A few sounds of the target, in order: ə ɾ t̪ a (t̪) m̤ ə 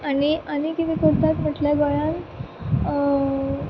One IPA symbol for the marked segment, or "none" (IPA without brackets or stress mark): t̪